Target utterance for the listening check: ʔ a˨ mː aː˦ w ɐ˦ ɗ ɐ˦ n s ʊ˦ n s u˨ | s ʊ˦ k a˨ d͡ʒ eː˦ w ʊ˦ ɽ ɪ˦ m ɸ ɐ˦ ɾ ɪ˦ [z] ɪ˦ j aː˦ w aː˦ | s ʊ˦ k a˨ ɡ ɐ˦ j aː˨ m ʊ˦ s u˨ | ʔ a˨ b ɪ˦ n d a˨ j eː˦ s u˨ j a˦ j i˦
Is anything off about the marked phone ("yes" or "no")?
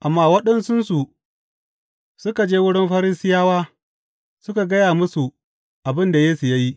yes